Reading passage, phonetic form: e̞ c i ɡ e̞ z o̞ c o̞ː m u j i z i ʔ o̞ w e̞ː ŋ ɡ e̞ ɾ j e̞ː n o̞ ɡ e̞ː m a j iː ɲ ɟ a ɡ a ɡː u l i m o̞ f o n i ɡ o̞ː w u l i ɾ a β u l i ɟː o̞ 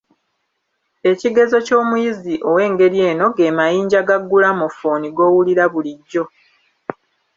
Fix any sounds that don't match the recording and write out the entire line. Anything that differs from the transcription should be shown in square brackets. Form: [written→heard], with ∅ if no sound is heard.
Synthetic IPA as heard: e̞ c i ɡ e̞ z o̞ c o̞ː m u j i z i ʔ o̞ w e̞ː ŋ ɡ e̞ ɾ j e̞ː n o̞ ɡ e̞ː m a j iː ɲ ɟ a ɡ a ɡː u l [i→a] m o̞ f o n i ɡ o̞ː w u l i ɾ a β u l i ɟː o̞